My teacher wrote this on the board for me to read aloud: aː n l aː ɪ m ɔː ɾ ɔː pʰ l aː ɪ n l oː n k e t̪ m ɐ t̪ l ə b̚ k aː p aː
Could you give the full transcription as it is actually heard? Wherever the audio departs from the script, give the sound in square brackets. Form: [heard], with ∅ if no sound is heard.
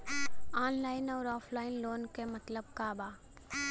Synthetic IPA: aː n l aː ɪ [n] ɔː ɾ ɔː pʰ l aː ɪ n l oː n k e [∅] m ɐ t̪ l ə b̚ k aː [b] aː